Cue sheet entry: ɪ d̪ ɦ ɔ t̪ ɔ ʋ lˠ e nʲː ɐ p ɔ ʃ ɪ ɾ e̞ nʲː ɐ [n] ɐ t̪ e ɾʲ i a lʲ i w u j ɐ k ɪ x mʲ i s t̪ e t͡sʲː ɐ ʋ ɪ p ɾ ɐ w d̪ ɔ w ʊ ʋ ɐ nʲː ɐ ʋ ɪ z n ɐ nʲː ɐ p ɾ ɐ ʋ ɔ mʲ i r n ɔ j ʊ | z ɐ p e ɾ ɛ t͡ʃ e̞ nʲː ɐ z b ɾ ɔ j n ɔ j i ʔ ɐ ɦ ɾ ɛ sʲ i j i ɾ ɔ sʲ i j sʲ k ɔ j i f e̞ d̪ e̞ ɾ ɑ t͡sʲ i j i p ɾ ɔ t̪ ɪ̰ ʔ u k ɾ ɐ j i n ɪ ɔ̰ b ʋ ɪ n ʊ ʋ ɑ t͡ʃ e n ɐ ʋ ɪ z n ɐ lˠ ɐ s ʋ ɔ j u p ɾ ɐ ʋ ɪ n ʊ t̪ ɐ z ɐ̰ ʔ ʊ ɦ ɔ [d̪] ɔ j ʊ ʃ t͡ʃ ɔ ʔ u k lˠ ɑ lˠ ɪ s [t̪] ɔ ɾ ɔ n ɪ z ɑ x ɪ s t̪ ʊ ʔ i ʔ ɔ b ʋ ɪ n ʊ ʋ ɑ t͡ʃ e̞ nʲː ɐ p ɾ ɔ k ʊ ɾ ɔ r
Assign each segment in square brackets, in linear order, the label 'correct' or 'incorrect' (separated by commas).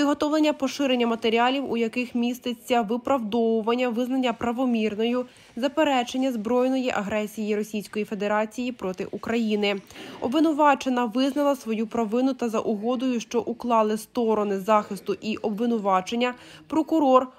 incorrect, correct, correct